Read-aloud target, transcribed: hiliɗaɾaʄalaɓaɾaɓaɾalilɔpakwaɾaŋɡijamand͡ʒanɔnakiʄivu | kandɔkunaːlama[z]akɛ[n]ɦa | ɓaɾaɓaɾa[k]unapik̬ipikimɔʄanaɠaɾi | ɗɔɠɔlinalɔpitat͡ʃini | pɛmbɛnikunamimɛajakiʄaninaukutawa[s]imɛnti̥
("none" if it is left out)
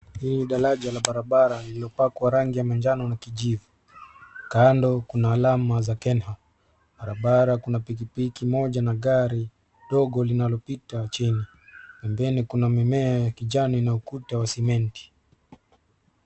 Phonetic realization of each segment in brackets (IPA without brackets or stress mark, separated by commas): z, n, k, s